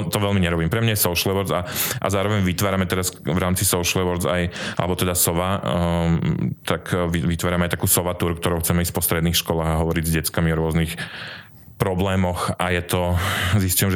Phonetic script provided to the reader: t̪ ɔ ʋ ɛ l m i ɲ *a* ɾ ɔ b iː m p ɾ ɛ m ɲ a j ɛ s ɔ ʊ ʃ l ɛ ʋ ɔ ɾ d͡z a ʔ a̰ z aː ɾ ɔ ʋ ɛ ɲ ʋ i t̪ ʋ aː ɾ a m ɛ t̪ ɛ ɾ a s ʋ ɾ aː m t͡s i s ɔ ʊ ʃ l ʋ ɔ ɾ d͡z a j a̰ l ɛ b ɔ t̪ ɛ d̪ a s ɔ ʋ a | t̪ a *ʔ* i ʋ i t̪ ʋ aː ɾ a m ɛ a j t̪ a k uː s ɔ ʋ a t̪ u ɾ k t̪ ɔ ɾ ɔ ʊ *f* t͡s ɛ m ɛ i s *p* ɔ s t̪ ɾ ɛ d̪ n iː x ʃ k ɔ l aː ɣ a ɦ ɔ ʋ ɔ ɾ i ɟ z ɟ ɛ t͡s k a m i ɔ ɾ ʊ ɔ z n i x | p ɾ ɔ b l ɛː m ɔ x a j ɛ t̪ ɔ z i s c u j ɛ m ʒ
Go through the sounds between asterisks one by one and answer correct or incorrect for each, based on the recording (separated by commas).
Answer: incorrect, incorrect, incorrect, correct